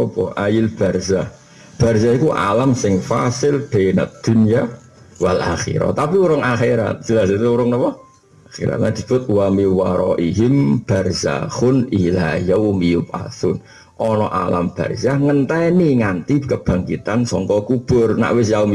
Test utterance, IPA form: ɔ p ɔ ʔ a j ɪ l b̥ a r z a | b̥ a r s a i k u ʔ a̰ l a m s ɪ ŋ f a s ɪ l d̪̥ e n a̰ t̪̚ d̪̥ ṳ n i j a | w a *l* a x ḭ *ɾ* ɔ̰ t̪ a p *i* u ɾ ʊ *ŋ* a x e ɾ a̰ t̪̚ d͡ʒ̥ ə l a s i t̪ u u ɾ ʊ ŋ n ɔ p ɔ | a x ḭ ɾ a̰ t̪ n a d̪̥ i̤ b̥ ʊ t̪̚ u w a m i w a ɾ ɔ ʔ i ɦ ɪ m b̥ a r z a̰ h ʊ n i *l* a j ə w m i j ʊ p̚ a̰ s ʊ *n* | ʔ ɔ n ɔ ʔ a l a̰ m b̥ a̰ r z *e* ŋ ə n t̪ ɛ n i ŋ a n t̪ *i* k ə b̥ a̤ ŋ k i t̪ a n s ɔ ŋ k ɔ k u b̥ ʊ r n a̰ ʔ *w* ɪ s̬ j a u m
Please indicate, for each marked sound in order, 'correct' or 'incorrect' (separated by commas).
correct, correct, correct, correct, correct, correct, incorrect, correct, correct